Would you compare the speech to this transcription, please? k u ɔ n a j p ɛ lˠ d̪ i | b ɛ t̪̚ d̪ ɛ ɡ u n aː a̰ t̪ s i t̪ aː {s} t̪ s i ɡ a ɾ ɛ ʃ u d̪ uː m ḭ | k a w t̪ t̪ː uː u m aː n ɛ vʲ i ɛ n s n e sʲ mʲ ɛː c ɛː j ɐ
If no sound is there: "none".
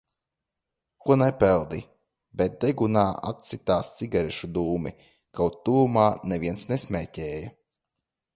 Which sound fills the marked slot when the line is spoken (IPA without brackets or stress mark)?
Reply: s